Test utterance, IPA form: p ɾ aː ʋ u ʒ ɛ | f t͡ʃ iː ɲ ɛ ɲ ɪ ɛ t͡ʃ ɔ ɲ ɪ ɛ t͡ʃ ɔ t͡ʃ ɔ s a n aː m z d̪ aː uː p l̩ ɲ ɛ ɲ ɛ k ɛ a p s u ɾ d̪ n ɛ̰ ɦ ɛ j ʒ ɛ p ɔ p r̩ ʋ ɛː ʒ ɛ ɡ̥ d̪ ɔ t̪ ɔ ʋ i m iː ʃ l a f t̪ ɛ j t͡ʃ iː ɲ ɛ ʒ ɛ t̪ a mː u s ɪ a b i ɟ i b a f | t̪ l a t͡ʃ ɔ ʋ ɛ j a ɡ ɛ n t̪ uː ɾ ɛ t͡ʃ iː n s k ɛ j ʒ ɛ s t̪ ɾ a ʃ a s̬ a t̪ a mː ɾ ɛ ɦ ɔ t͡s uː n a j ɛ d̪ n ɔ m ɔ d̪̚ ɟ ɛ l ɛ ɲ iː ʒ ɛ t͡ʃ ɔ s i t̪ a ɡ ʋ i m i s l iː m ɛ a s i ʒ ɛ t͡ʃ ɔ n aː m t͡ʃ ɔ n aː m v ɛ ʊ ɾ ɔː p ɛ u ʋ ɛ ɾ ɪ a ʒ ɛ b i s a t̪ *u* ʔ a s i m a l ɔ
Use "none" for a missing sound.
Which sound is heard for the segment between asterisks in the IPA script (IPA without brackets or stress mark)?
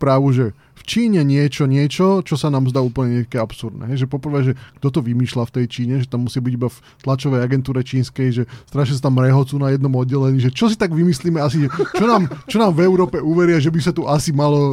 u